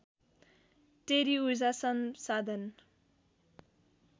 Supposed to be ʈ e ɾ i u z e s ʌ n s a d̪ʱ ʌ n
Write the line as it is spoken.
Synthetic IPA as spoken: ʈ e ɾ i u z a s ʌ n s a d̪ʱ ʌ n